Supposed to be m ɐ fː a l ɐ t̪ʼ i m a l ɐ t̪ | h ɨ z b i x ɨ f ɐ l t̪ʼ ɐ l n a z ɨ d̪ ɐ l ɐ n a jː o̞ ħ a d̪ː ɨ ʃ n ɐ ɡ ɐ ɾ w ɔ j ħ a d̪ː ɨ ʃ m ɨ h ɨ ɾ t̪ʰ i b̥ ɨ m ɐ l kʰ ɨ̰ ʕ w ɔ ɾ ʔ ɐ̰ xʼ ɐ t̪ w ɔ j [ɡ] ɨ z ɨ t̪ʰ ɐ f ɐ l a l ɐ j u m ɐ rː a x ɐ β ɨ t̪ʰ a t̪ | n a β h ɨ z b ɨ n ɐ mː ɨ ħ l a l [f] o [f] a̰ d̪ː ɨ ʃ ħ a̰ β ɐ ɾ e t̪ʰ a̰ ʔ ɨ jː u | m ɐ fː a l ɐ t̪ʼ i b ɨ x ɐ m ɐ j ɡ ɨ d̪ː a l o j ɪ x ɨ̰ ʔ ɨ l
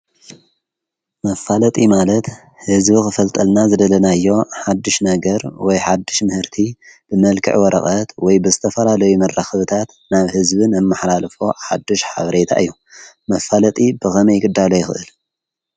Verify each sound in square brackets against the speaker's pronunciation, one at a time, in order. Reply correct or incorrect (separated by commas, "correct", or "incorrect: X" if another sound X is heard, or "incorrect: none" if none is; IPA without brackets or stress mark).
incorrect: b, correct, incorrect: ħ